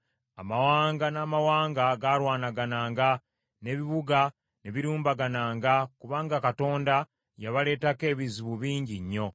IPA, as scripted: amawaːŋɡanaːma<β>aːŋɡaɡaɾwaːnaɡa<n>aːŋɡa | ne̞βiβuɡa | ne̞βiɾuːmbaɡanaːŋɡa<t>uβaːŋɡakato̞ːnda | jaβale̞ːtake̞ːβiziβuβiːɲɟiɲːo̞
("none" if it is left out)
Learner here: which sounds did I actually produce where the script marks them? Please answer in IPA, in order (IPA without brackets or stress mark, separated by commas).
w, n, k